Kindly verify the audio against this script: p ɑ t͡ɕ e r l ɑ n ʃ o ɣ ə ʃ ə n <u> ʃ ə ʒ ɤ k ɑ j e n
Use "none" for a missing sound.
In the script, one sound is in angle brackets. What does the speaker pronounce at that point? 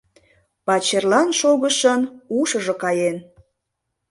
u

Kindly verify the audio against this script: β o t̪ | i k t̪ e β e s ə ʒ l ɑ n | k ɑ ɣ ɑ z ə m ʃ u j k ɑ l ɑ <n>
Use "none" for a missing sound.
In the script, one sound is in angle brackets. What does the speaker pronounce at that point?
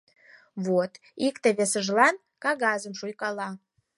none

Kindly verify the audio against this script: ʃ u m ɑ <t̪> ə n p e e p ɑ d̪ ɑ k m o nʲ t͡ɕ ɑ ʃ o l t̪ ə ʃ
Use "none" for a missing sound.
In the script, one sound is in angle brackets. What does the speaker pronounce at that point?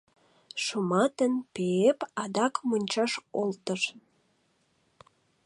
t̪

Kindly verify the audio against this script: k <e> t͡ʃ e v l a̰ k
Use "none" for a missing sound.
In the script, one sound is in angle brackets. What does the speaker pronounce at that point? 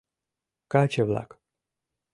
a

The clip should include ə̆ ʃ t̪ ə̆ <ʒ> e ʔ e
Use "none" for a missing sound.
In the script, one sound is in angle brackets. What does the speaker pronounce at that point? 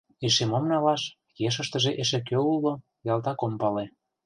ʒ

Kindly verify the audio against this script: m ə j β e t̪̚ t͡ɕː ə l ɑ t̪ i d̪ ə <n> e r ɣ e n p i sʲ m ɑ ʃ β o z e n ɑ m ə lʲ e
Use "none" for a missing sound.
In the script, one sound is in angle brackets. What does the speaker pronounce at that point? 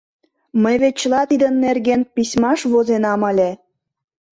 nː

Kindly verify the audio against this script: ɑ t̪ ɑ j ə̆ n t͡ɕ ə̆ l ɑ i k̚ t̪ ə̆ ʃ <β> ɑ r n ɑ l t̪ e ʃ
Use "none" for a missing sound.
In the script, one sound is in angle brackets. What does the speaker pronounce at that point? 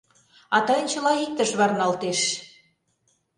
β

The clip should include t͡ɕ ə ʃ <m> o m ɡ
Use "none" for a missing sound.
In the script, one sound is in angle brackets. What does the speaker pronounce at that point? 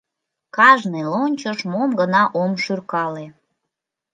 m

